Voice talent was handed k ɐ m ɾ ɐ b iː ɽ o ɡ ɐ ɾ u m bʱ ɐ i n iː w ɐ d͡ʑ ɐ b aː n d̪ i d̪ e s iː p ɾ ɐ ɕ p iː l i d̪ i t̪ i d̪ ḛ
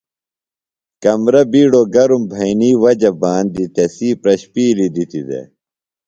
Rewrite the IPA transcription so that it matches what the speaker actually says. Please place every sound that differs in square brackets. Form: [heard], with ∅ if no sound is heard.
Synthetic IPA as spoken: k ɐ m ɾ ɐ b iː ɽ o ɡ ɐ ɾ u m bʱ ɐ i n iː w ɐ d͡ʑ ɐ b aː n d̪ i [t̪] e s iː p ɾ ɐ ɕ p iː l i d̪ i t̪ i d̪ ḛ